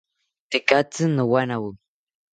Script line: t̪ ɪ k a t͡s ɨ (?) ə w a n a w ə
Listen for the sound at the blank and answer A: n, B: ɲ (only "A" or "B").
A